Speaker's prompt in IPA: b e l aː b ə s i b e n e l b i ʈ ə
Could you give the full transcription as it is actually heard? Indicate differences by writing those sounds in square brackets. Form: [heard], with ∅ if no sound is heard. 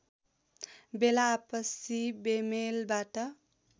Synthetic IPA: b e l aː [p] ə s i b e [m] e l b [a] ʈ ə